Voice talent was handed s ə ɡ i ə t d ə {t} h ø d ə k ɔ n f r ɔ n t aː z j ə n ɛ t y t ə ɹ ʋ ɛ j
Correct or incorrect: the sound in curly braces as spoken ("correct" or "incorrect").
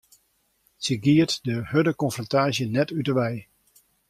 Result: incorrect